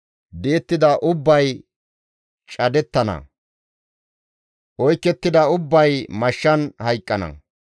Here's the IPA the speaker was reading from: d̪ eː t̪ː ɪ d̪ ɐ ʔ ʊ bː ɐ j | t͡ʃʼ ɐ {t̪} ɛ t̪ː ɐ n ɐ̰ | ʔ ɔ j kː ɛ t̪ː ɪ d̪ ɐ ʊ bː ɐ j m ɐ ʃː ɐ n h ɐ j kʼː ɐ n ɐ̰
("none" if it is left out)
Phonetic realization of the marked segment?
d̪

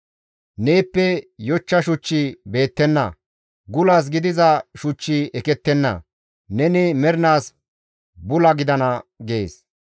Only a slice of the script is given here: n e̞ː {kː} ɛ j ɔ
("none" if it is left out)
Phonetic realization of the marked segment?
pː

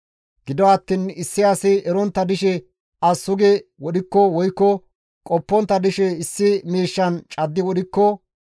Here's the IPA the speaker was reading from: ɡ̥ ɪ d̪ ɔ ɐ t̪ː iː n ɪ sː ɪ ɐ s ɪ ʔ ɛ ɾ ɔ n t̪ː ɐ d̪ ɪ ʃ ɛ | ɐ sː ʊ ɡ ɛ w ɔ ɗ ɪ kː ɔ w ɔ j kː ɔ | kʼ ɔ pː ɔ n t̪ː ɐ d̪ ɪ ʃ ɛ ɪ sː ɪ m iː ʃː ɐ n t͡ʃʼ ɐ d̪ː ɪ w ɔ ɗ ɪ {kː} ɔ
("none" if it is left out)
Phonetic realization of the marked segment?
kː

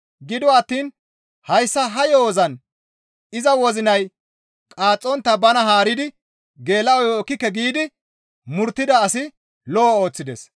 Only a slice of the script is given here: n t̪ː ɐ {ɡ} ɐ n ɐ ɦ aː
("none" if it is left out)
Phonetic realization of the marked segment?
b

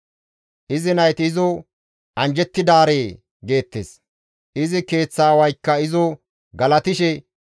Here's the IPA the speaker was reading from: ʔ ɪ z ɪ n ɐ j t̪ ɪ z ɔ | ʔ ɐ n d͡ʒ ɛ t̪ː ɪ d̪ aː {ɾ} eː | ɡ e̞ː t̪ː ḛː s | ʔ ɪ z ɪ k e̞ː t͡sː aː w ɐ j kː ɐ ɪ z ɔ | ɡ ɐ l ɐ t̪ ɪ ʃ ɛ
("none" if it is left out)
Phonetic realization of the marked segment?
ɾ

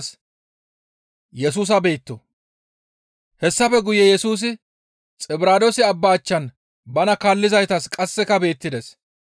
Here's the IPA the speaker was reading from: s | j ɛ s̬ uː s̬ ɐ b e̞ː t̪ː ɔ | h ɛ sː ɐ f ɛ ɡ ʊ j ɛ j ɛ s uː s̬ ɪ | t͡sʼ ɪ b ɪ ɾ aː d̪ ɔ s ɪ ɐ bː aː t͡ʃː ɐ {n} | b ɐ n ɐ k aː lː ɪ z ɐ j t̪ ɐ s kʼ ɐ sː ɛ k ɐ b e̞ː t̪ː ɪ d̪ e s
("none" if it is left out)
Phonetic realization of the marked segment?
n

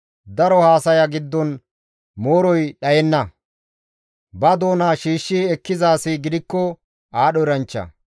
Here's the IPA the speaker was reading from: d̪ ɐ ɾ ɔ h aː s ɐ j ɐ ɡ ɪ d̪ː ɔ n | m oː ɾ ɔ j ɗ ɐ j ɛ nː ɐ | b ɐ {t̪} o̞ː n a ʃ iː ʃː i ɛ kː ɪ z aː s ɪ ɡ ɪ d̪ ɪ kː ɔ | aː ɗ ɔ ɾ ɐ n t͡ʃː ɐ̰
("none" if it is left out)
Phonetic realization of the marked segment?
d̪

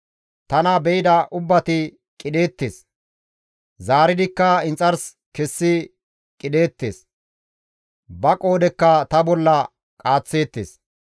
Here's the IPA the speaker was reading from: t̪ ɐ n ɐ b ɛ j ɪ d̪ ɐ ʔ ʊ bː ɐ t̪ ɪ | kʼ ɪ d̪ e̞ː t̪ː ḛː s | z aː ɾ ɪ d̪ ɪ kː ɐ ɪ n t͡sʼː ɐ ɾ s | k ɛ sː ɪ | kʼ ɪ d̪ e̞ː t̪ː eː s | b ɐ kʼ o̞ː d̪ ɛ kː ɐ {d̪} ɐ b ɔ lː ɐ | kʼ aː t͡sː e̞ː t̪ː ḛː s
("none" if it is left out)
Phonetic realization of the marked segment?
t̪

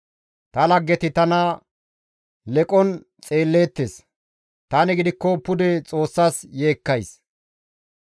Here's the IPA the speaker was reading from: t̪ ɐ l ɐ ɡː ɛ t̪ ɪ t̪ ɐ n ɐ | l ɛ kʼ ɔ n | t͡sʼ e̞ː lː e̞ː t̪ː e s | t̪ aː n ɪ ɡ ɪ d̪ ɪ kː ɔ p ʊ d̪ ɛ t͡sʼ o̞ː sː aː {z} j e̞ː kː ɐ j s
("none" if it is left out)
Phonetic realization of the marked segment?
s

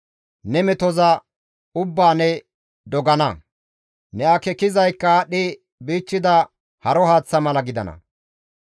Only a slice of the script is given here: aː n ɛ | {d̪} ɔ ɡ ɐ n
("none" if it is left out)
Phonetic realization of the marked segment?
d̪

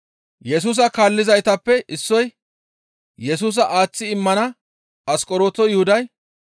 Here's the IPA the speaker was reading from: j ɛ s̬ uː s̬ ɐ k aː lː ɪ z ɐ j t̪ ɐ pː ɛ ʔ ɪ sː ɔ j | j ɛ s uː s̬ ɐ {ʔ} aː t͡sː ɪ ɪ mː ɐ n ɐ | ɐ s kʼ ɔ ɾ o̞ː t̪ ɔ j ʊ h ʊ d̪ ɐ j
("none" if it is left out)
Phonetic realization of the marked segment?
ʔ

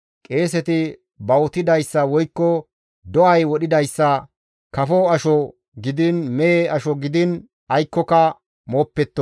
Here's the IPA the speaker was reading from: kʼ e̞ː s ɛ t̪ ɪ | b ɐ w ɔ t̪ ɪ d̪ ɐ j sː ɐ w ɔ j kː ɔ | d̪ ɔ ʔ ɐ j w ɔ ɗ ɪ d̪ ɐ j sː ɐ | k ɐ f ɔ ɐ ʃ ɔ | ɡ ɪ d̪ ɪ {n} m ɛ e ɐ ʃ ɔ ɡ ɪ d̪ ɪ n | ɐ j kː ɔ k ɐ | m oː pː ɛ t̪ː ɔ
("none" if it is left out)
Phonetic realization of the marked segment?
n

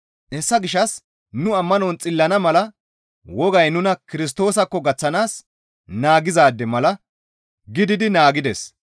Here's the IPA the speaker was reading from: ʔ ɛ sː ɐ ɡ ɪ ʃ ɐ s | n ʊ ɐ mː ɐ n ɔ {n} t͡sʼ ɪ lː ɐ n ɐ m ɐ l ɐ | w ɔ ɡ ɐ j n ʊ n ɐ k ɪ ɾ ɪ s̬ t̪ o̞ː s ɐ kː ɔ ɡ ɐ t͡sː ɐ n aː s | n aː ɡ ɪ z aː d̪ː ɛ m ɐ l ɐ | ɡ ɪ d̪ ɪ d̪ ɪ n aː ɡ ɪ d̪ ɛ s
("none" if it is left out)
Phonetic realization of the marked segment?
n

